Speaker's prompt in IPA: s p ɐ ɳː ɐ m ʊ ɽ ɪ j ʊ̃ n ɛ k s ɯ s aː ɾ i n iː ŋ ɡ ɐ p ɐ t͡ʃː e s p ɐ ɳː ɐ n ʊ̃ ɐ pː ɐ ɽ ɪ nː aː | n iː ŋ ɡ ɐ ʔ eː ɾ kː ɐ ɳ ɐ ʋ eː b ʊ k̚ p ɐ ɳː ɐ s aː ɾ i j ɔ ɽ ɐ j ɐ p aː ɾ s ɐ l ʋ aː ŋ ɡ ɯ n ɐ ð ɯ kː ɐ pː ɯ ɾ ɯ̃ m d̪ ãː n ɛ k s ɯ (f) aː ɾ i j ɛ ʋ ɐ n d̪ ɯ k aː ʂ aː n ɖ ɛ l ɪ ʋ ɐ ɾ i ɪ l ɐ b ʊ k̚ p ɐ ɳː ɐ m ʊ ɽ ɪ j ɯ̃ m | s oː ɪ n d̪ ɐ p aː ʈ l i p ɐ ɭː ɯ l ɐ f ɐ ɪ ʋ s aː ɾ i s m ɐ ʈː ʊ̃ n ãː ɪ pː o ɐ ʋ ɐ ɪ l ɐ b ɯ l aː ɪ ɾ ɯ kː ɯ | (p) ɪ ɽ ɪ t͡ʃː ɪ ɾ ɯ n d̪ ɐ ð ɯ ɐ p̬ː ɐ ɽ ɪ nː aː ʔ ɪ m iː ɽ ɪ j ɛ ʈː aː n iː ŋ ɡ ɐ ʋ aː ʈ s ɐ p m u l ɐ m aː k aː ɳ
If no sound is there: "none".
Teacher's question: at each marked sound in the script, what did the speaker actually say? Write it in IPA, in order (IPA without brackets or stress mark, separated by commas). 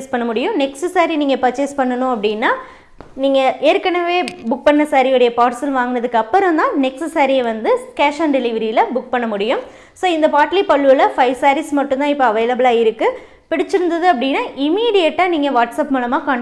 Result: s, p